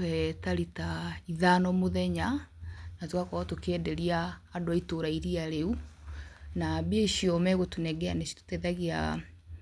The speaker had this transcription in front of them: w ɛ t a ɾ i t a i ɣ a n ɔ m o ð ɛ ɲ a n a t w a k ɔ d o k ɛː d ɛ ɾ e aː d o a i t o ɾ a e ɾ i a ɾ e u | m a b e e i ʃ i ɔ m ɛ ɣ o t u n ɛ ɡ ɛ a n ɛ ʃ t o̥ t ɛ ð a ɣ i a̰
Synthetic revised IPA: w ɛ t a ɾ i t a i ð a n ɔ m o ð ɛ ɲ a n a t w a k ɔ t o k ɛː d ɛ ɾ i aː d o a i t o ɾ a i ɾ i a ɾ e u | n a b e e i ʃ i ɔ m ɛ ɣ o t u n ɛ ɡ ɛ a n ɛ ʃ t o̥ t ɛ ð a ɣ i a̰